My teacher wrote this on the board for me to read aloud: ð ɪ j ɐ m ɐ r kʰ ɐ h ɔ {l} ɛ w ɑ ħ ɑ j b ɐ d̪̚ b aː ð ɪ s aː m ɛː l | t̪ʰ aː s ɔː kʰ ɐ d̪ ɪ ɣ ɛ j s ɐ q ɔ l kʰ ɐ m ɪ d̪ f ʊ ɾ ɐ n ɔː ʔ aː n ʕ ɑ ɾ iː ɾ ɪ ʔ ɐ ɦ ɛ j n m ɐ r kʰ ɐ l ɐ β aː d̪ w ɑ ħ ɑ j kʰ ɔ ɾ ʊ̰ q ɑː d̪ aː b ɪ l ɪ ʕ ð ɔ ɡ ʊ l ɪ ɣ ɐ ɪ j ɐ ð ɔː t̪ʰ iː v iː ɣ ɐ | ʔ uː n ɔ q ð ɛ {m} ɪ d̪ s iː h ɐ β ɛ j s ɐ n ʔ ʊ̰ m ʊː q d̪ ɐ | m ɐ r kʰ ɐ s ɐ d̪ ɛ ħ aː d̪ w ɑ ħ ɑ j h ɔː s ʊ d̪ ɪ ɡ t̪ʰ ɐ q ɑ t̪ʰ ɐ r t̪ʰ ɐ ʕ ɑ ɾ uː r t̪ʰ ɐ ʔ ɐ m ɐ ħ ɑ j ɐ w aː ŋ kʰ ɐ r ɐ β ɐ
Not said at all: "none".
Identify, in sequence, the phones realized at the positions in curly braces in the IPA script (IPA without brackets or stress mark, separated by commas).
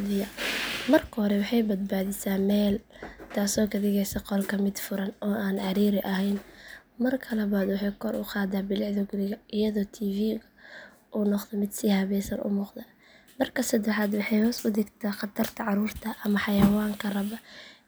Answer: ɾ, m